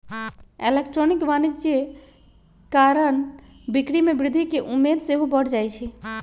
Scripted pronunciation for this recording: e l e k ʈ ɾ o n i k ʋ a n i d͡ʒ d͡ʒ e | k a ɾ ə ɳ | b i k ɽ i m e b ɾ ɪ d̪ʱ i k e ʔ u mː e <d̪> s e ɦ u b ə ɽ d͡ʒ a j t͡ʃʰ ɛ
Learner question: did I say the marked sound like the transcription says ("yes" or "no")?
yes